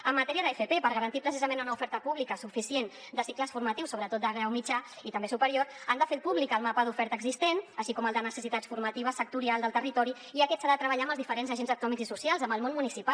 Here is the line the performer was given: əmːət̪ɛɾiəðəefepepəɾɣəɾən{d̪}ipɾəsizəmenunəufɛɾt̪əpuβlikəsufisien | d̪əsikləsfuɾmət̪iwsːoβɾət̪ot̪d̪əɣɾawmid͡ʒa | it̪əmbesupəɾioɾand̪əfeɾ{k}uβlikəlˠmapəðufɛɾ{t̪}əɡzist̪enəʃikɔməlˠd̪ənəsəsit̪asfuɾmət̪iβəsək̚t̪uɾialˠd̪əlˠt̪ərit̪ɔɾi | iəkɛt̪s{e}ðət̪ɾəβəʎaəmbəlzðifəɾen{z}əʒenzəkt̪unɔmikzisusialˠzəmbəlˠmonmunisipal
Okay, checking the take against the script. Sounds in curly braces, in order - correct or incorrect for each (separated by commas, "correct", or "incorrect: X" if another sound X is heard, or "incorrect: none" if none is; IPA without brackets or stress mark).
incorrect: t̪, incorrect: p, correct, incorrect: a, correct